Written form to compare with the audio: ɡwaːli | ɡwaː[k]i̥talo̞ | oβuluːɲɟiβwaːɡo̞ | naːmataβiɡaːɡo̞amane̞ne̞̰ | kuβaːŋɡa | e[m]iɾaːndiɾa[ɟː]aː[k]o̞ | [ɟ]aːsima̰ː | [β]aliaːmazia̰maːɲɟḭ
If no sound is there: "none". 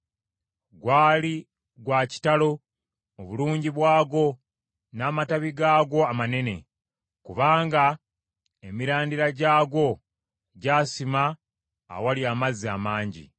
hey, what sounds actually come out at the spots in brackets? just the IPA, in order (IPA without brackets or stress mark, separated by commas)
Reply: c, m, ɟ, ɡ, ɟ, w